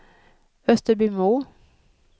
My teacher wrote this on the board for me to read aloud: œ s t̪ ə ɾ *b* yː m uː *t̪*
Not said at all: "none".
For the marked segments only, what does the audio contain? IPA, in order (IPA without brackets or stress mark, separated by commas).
b, none